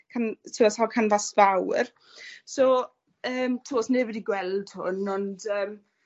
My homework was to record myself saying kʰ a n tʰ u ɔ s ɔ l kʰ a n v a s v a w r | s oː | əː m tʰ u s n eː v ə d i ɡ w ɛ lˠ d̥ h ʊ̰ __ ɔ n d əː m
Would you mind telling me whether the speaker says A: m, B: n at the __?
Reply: B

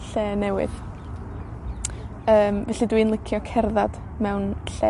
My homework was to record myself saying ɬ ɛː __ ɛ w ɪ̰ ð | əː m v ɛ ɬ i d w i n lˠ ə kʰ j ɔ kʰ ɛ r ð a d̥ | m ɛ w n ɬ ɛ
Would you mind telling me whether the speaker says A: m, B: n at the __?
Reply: B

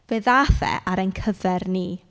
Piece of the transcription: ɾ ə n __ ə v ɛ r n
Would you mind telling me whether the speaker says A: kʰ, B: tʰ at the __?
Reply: A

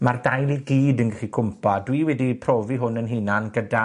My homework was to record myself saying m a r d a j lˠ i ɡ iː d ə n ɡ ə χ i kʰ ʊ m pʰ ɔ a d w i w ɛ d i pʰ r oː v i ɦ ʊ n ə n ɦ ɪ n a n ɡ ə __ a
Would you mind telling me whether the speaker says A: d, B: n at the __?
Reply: A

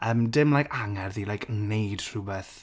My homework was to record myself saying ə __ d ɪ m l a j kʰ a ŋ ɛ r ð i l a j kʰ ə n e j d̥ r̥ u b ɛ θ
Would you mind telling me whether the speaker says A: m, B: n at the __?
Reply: A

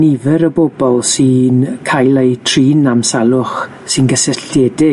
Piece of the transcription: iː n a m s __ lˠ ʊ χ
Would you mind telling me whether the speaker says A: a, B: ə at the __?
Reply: A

